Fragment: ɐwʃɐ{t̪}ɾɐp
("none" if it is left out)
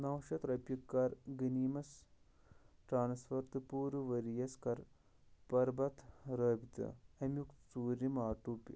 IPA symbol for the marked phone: t̪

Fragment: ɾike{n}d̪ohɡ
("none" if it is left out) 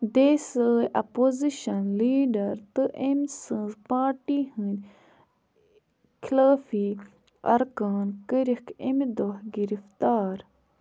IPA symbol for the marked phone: m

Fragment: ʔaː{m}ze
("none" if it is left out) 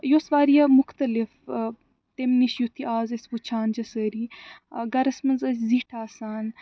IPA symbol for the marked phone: none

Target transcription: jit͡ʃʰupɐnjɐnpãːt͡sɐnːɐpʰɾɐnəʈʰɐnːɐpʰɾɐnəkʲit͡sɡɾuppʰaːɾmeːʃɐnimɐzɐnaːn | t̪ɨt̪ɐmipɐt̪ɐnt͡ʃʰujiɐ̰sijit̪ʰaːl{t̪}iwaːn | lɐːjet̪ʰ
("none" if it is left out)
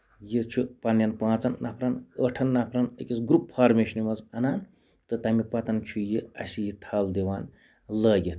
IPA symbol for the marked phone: d̪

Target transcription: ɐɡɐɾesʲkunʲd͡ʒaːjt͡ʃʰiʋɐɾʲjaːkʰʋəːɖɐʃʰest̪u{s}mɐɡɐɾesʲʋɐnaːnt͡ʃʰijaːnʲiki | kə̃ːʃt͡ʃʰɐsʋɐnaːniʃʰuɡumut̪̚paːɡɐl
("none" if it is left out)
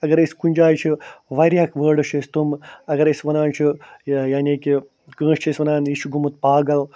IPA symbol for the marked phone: none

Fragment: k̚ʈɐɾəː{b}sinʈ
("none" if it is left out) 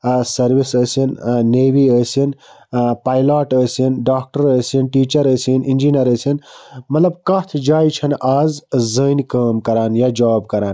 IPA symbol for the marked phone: none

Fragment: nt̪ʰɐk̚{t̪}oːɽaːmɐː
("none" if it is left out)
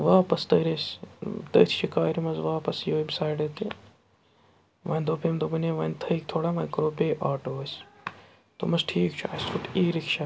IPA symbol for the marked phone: t̪ʰ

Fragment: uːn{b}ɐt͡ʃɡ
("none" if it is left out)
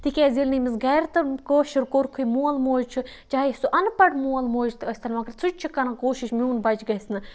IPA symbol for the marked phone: b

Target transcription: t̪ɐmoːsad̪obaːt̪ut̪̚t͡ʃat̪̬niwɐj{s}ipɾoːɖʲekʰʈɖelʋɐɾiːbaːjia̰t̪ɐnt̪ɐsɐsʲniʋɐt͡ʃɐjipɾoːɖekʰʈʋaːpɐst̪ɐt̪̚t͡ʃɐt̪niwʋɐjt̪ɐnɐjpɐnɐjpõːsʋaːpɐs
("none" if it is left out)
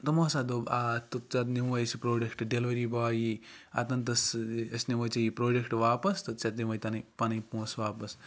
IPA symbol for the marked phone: s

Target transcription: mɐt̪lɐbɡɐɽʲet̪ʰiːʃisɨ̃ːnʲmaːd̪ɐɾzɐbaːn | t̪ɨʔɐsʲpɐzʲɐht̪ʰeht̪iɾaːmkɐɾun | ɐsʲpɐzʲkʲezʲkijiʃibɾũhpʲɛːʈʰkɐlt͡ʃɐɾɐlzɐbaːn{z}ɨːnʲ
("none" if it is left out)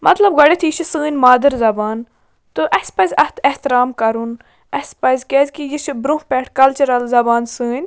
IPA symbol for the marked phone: s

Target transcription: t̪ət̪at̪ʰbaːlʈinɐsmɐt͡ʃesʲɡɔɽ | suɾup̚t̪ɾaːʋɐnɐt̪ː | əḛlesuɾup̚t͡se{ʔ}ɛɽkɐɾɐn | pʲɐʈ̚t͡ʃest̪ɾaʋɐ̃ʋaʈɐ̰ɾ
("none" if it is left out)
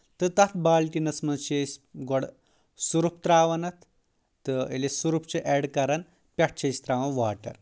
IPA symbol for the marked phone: ʔ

